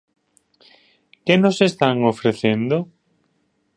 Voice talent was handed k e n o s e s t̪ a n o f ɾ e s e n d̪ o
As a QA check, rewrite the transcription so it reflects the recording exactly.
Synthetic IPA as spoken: k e n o s e s t̪ a ŋ o f ɾ e θ e n d̪ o